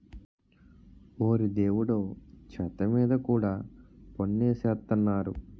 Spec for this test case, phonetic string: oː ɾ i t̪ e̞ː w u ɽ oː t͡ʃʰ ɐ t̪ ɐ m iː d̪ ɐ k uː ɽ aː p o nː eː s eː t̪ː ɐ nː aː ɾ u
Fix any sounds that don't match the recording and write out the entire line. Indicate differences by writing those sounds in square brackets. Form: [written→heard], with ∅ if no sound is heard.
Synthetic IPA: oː ɾ i [t̪→d̪] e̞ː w u ɽ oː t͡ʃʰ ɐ t̪ ɐ m iː d̪ ɐ k uː ɽ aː p o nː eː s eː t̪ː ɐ nː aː ɾ u

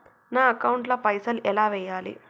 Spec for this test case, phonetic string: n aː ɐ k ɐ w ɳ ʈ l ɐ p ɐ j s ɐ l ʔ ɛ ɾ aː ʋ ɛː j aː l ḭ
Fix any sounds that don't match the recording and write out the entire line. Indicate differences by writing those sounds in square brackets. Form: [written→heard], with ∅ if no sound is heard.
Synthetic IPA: n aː ɐ k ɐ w ɳ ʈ l ɐ p ɐ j s ɐ l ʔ ɛ [ɾ→l] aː ʋ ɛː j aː l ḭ

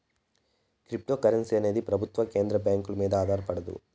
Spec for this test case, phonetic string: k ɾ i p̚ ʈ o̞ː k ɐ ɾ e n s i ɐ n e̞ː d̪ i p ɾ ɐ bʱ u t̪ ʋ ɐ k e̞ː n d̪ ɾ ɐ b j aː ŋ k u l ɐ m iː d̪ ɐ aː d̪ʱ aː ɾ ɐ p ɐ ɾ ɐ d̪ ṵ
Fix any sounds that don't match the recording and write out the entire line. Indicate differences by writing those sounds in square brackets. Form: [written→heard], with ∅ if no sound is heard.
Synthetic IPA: k ɾ i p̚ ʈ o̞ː k ɐ ɾ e n s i ɐ n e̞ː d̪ i p ɾ ɐ bʱ u t̪ ʋ ɐ k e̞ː n d̪ ɾ ɐ b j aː ŋ k u l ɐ m iː d̪ ɐ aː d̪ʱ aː ɾ ɐ p ɐ [ɾ→ɽ] ɐ d̪ ṵ

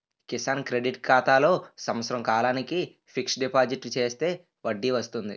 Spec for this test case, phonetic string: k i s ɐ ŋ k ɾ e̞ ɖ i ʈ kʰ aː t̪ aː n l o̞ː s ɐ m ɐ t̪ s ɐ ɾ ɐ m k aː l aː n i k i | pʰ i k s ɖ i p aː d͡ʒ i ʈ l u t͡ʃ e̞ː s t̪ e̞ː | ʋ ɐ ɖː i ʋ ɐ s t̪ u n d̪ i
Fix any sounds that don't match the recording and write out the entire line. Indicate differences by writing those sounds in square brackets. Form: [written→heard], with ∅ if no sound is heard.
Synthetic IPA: k i s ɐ [ŋ→n] k ɾ e̞ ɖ i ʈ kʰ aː t̪ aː [n→∅] l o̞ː s ɐ m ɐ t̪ s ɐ ɾ ɐ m k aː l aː n i k i | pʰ i k s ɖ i p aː d͡ʒ i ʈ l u t͡ʃ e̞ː s t̪ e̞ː | ʋ ɐ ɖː i ʋ ɐ s t̪ u n d̪ i

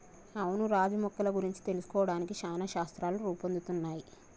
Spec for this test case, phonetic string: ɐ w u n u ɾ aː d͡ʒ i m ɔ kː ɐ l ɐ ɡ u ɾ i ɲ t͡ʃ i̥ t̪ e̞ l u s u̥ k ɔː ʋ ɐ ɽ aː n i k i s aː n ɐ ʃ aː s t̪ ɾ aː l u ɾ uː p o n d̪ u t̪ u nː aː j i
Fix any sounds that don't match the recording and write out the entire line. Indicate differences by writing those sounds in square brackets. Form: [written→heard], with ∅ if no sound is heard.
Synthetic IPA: ɐ w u n u ɾ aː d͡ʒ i m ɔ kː ɐ l ɐ ɡ u ɾ i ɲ t͡ʃ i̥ t̪ e̞ l u s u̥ k ɔː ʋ ɐ ɽ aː n i k i [s→ʃ] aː n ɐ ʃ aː s t̪ ɾ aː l u ɾ uː p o n d̪ u t̪ u nː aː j i

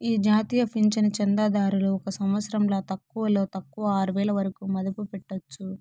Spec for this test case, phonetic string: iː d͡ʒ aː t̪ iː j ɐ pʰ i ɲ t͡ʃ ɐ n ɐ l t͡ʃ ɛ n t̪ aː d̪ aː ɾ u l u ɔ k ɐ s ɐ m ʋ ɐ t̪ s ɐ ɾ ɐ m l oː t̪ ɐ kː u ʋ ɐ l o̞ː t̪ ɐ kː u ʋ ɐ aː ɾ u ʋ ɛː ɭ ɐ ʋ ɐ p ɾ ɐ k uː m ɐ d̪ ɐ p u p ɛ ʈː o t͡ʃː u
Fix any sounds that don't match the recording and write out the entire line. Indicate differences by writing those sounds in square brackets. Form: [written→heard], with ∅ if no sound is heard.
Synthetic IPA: iː d͡ʒ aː t̪ iː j ɐ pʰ i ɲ t͡ʃ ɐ n ɐ [l→∅] t͡ʃ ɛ n [t̪→d̪] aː d̪ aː ɾ u l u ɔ k ɐ s ɐ m ʋ ɐ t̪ s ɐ ɾ ɐ m l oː t̪ ɐ kː u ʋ ɐ l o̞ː t̪ ɐ kː u ʋ ɐ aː ɾ u ʋ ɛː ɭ ɐ ʋ ɐ [p→∅] ɾ ɐ k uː m ɐ d̪ ɐ p u p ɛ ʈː o t͡ʃː u

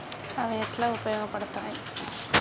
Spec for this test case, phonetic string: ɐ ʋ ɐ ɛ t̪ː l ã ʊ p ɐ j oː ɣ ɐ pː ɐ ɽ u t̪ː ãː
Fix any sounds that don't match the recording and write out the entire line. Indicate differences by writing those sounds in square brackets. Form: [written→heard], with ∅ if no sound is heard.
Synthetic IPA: ɐ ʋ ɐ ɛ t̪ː l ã ʊ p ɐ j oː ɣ ɐ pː ɐ ɽ [u→ɯ] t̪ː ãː

